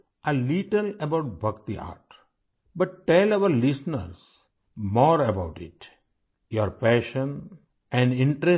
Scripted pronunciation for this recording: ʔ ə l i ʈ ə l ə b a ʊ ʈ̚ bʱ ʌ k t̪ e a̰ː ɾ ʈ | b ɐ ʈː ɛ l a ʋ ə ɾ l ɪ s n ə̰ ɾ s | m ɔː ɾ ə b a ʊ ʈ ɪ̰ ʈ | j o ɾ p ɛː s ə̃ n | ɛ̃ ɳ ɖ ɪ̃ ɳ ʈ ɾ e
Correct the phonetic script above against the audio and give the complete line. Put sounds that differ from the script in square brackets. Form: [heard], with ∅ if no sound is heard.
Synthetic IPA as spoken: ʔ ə l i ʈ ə l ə b a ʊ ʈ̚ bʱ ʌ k t̪ [i] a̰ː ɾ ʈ | b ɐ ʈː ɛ l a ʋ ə ɾ l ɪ s n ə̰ ɾ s | m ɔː ɾ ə b a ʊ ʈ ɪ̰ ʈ | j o ɾ p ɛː [ʃ] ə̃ n | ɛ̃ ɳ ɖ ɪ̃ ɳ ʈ ɾ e